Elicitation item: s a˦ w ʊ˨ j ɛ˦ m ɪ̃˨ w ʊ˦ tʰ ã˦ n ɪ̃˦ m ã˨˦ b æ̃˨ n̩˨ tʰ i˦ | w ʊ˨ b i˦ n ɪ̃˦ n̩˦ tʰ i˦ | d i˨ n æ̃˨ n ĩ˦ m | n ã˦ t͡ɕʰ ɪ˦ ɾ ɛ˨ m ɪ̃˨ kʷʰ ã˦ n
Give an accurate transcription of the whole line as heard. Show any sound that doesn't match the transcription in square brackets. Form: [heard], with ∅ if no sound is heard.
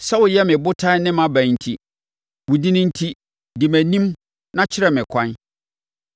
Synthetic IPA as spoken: s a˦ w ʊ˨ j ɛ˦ m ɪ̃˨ [b] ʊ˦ tʰ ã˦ n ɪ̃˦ m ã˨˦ b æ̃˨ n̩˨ tʰ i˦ | w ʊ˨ [d] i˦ n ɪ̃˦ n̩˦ tʰ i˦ | d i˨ [m] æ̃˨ n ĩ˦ m | n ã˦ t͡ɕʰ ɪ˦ ɾ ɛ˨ m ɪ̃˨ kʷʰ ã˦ n